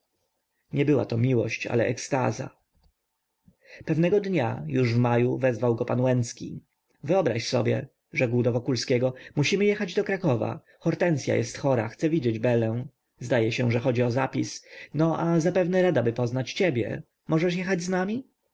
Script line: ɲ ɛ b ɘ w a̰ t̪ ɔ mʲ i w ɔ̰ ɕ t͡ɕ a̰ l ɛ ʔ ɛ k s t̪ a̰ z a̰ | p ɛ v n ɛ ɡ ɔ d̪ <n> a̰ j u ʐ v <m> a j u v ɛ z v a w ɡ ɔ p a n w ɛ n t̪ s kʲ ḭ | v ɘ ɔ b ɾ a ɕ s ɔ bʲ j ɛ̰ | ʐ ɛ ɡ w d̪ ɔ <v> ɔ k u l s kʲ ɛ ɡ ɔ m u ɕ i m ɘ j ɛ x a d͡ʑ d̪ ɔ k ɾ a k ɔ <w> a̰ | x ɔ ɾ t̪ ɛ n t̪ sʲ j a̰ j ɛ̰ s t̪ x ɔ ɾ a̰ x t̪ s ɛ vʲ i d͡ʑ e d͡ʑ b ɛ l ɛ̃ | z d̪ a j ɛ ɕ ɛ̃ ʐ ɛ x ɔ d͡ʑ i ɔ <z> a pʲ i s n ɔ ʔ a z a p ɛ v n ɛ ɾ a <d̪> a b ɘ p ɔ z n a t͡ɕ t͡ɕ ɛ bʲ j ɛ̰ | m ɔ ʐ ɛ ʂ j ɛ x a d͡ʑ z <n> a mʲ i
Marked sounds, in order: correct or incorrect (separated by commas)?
incorrect, correct, correct, incorrect, correct, correct, correct